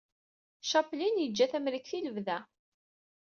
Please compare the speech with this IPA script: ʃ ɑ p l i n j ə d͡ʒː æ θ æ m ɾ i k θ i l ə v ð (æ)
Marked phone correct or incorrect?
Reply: correct